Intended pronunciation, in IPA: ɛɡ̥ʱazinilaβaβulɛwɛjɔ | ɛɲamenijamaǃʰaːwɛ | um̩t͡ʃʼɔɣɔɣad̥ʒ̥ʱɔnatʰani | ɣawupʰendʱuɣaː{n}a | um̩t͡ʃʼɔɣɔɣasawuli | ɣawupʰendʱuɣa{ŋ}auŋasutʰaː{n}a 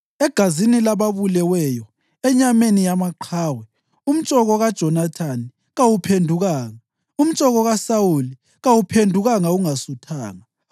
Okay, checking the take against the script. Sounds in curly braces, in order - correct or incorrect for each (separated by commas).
incorrect, correct, incorrect